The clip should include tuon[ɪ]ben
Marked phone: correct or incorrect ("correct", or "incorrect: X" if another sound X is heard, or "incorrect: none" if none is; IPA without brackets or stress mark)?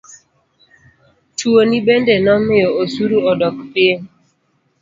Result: incorrect: i